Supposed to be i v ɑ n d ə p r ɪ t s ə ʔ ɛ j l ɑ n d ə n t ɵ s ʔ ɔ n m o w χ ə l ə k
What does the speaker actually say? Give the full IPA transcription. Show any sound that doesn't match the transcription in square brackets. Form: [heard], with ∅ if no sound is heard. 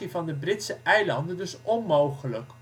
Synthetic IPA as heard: i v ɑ n d ə [b] r ɪ t s ə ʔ ɛ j l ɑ n d ə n [d] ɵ s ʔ ɔ n m o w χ ə l ə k